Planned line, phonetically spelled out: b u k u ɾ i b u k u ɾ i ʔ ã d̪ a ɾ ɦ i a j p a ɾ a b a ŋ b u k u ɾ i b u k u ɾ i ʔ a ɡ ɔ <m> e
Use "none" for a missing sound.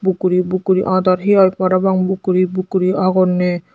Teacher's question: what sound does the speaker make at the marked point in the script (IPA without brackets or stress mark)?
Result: n